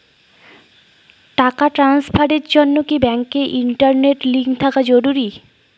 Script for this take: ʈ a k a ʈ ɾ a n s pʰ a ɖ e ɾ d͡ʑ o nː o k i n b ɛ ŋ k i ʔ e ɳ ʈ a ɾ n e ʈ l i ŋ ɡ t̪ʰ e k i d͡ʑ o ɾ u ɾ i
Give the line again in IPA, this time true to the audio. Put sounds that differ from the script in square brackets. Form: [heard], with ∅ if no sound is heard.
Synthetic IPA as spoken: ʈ a k a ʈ ɾ a n s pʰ a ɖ e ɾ d͡ʑ o nː o k i [∅] b ɛ ŋ k [e] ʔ [i] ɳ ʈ a ɾ n e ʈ l i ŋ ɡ t̪ʰ [a] k [a] d͡ʑ o ɾ u ɾ i